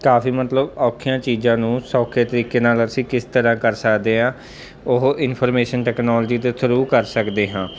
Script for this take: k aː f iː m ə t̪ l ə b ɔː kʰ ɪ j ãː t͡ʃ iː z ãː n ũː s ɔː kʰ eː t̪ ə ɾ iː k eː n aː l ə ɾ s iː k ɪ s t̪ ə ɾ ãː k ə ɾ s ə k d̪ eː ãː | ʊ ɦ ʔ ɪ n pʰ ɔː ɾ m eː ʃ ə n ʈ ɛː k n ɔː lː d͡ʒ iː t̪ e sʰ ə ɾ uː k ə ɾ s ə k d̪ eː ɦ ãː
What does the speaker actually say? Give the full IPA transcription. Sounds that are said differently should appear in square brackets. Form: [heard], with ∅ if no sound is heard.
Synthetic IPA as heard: k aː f iː m ə t̪ l ə b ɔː kʰ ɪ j ãː t͡ʃ iː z ãː n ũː s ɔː kʰ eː t̪ ə ɾ iː k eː n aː l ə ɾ s iː k ɪ s t̪ ə ɾ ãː k ə ɾ s ə k d̪ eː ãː | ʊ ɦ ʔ ɪ n pʰ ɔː ɾ m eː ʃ ə n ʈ ɛː k n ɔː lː d͡ʒ iː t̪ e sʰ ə ɾ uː k ə ɾ s ə k d̪ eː ɦ ãː